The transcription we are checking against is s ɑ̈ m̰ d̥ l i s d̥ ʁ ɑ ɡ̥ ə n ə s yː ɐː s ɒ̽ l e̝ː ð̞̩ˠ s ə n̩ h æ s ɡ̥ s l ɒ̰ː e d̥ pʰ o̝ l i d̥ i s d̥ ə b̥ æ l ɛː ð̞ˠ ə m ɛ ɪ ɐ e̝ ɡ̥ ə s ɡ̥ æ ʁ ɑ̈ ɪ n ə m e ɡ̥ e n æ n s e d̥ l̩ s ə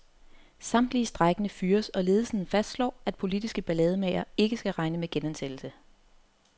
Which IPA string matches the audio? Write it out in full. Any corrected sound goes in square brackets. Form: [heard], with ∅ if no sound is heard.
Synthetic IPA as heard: s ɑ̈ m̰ d̥ l i s d̥ ʁ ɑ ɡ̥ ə n ə [f] yː [ɐ] s ɒ̽ l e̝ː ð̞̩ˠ s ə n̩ [f] æ s [d̥] s l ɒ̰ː [æ] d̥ pʰ o̝ l i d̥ i s [ɡ̥] ə b̥ æ l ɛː ð̞ˠ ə m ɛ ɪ ɐ e̝ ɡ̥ ə s ɡ̥ æ ʁ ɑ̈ ɪ n ə m e ɡ̥ e n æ n s e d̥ l̩ s ə